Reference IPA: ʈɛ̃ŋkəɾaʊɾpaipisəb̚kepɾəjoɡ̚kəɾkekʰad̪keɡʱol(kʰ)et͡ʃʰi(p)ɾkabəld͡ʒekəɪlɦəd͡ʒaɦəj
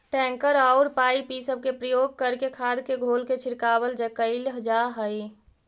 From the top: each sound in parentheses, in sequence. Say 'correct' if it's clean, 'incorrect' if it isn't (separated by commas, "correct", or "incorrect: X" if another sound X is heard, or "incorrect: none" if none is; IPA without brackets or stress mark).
incorrect: k, incorrect: none